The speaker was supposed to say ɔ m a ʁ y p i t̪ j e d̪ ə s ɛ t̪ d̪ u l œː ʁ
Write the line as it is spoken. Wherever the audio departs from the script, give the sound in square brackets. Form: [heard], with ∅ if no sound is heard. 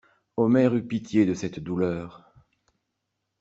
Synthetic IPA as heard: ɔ m [ɛ] ʁ y p i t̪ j e d̪ ə s ɛ t̪ d̪ u l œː ʁ